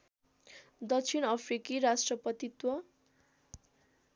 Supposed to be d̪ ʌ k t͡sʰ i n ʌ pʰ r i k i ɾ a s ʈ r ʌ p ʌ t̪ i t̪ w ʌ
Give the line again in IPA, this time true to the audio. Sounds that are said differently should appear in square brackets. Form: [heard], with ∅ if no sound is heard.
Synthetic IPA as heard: d̪ ʌ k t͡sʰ i n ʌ pʰ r i k i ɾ a s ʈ r ʌ p ʌ t̪ i t̪ w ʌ